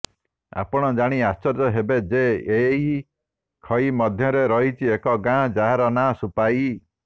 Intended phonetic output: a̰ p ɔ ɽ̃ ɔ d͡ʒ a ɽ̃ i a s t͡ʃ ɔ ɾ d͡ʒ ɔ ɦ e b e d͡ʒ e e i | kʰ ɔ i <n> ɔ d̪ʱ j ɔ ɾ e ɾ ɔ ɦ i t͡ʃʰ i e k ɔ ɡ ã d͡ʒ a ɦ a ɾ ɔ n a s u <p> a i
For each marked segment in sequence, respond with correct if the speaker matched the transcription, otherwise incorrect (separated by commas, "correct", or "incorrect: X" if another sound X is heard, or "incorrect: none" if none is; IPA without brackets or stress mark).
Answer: incorrect: m, correct